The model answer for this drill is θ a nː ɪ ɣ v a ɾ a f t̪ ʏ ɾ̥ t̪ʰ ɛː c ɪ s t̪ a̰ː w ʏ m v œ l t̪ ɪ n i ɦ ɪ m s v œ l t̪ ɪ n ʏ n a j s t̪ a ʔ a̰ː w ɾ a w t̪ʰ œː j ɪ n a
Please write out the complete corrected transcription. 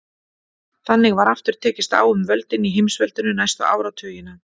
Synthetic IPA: θ a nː ɪ ɣ v a ɾ a f t̪ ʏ ɾ̥ t̪ʰ ɛː c ɪ s t̪ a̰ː w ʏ m v œ l t̪ ɪ n i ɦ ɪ m s v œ l t̪ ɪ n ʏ n a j s t̪ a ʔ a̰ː w ɾ a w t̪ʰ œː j ɪ n a